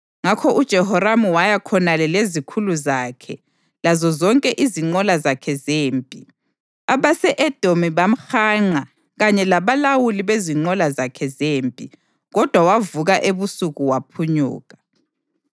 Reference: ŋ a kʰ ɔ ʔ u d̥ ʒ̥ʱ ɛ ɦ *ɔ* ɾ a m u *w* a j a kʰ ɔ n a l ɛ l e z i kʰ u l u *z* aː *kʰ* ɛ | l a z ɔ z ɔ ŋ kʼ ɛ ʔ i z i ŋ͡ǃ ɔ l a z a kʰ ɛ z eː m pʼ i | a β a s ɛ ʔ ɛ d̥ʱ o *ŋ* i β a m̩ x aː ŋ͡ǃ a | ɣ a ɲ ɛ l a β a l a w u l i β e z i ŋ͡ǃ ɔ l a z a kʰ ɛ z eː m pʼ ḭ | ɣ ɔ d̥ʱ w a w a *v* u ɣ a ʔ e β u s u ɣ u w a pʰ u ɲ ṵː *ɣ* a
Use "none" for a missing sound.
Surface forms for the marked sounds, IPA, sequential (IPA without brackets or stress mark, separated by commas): ɔ, w, z, kʰ, m, v, ɣ